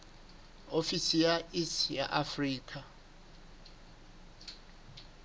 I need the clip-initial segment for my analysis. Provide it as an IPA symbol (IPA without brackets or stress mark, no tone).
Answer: o